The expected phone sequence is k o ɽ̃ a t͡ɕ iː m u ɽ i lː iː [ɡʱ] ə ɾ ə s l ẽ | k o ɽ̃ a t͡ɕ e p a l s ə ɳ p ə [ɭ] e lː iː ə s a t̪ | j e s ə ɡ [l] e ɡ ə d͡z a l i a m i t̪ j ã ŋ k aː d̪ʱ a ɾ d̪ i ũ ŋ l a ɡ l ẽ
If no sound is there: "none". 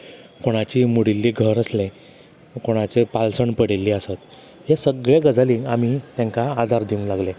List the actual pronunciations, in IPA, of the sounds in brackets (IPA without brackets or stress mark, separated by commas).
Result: ɡʱ, ɽ, ɭ